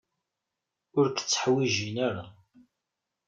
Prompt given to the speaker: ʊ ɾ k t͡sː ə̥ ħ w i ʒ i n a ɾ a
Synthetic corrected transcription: ʊ ɾ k t͡sː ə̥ ħ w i ʒ i n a ɾ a